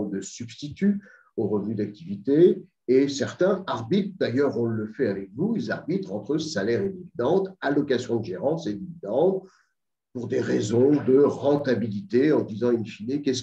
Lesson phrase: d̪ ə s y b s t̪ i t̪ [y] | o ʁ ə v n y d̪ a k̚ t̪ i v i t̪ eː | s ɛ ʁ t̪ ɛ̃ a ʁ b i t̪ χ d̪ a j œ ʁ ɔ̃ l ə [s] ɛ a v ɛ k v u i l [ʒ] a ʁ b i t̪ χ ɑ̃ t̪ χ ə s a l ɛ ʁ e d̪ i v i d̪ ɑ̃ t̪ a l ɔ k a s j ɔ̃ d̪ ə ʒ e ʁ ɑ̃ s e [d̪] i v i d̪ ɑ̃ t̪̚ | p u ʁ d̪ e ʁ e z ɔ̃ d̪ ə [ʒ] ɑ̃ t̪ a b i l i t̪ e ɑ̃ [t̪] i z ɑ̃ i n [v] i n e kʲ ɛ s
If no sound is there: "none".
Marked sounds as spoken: y, f, z, d̪, ʁ, d̪, f

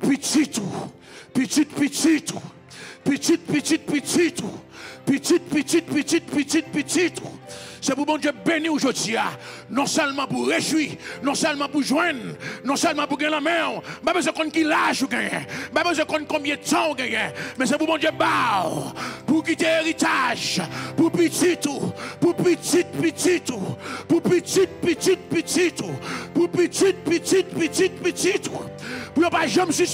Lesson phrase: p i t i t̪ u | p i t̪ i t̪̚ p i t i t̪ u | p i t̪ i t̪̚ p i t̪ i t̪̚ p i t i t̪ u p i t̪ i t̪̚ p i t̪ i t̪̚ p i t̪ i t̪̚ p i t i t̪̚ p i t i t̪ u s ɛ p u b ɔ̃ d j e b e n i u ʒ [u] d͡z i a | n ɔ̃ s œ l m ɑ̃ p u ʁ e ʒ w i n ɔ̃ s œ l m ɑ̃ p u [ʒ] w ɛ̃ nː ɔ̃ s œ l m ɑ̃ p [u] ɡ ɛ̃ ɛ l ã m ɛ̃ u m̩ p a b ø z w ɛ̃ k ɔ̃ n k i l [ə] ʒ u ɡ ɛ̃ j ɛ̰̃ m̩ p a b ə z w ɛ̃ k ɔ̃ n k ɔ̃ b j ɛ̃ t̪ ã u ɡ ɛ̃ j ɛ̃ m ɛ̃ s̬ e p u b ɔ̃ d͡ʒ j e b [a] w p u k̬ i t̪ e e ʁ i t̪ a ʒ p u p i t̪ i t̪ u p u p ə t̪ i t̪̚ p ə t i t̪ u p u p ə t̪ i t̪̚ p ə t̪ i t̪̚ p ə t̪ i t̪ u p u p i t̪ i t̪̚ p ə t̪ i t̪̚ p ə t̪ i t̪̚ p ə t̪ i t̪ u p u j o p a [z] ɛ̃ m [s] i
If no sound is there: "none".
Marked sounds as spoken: o, ʒ, u, a, a, ʒ, s

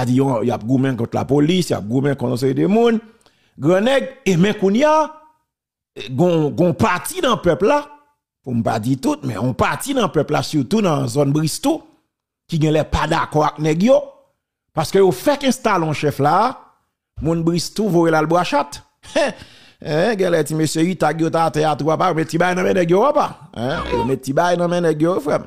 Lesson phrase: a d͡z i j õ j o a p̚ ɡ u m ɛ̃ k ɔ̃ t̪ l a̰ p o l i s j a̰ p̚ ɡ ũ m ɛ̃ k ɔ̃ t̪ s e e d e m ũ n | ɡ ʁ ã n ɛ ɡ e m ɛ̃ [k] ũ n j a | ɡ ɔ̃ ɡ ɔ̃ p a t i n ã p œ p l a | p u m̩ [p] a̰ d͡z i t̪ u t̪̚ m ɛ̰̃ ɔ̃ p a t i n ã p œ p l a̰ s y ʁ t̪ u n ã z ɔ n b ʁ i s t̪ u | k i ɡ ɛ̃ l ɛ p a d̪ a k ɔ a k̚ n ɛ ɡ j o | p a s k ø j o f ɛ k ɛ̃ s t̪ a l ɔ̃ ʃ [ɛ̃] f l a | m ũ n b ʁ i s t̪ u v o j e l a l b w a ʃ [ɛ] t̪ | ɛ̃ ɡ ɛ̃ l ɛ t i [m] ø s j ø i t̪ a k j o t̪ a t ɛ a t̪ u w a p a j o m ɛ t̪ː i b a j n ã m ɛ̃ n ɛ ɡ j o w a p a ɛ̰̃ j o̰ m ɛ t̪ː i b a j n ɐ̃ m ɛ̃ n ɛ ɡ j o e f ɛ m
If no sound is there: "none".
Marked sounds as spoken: k, p, ɛ, a, m

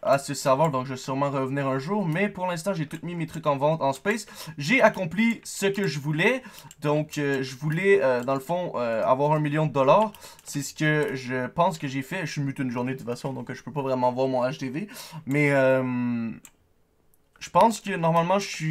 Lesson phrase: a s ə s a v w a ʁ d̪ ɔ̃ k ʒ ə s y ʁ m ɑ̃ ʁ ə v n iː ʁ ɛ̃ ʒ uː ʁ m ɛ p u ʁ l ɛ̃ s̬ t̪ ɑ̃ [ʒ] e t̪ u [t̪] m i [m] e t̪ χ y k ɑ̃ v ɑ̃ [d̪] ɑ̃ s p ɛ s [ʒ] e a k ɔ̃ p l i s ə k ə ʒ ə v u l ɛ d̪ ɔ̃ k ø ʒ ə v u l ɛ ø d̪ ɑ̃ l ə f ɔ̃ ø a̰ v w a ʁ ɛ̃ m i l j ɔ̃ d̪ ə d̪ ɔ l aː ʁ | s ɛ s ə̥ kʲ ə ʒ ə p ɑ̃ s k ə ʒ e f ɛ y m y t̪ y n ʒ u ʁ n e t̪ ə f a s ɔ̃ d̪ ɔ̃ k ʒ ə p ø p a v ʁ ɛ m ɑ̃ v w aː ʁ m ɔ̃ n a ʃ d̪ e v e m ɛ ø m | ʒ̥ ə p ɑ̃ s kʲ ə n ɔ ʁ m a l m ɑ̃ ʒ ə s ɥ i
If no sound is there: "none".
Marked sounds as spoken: ʒ, t̪, m, t̪, ʒ

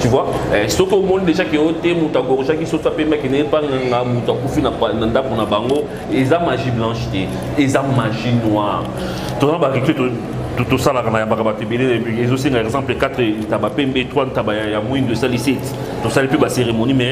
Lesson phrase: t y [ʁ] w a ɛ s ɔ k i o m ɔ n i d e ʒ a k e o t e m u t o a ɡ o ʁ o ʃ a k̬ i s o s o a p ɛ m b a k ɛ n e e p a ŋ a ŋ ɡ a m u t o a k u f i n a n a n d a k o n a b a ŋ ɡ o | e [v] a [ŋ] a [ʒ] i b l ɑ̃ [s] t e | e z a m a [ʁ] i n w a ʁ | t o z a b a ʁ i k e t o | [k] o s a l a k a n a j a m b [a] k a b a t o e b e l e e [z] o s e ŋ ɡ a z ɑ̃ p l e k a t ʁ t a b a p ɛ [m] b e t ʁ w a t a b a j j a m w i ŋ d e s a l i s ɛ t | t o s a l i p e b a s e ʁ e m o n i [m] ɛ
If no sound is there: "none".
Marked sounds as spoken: v, z, m, ʒ, ʃ, ʒ, t, a, z, m, m

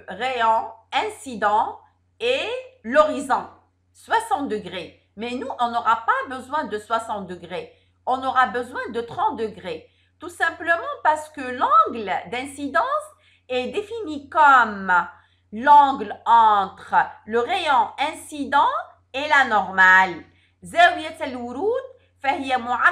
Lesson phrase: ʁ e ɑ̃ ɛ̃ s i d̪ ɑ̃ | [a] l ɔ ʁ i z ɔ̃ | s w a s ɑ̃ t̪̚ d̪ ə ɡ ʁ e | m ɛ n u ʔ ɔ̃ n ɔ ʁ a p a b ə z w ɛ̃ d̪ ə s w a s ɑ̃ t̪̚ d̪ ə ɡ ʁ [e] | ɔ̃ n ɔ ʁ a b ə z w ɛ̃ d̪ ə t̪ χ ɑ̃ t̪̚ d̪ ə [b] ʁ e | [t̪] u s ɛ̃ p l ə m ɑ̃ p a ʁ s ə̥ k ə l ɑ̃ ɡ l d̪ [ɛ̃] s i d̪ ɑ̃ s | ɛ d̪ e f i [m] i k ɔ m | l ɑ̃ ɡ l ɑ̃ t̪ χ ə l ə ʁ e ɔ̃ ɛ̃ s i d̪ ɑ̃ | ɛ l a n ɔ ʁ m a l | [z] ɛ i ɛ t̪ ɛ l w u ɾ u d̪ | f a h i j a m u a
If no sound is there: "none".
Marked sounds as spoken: e, e, ɡ, t̪, ɛ̃, n, z

